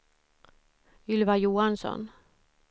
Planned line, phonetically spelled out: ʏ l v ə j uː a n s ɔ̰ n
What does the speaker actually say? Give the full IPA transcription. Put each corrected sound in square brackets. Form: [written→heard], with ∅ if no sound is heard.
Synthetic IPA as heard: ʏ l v [ə→a] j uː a n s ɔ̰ n